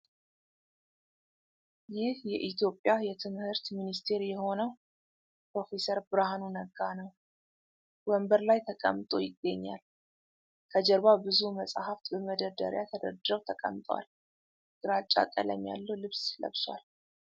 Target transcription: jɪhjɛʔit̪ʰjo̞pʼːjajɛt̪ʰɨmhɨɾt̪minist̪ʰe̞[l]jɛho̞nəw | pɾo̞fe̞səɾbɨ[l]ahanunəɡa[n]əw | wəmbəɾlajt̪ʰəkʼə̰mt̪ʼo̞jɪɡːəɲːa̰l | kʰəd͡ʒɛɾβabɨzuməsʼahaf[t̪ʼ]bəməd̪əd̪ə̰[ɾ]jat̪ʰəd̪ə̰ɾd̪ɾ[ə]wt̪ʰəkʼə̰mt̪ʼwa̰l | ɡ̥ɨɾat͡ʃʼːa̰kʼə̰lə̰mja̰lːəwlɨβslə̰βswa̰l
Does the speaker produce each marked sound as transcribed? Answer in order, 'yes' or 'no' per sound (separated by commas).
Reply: no, no, yes, no, yes, yes